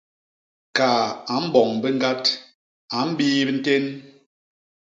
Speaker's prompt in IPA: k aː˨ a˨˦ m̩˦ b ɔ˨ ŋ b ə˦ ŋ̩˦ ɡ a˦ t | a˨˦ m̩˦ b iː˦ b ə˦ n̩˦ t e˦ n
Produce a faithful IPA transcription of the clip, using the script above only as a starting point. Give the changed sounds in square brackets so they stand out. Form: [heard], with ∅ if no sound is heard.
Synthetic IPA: k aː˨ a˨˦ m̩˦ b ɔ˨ ŋ b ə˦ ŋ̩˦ ɡ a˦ t | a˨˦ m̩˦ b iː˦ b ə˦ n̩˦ t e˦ n